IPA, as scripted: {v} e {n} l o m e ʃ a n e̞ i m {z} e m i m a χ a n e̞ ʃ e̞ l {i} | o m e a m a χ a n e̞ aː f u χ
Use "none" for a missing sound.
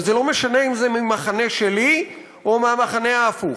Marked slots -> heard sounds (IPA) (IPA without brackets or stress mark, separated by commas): z, none, z, i